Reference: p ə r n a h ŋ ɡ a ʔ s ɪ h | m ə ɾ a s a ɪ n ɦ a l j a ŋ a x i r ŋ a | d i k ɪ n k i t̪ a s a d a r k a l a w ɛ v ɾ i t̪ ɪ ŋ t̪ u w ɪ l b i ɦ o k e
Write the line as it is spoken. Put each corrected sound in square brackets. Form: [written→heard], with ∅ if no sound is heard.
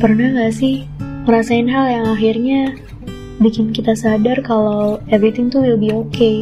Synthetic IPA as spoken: p ə r n a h ŋ ɡ a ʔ s ɪ h | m ə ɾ a s a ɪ n ɦ a l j a ŋ a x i r [ŋ→ɲ] a | [d→b] i k ɪ n k i t̪ a s a d a r k a l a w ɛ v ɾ i t̪ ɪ ŋ t̪ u w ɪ l b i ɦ o k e